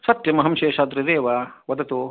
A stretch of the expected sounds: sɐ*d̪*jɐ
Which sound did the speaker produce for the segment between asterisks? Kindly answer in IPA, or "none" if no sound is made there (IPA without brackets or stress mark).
t̪